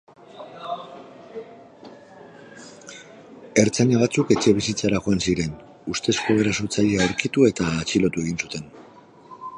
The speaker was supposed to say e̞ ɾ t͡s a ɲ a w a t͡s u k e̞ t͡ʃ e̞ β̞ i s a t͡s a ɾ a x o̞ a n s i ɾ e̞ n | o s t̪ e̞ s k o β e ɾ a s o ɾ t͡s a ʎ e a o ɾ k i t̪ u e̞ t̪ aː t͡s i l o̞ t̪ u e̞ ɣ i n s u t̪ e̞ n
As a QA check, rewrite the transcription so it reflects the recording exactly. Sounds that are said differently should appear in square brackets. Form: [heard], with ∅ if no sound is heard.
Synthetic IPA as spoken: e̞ ɾ t͡s a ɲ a [β] a t͡s u k e̞ t͡ʃ e̞ β̞ i s [i] t͡s a ɾ a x o̞ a n s i ɾ e̞ n | [u] s t̪ e̞ s k o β e ɾ a s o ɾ t͡s a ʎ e a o ɾ k i t̪ u e̞ t̪ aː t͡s i l o̞ t̪ u e̞ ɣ i n s u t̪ e̞ n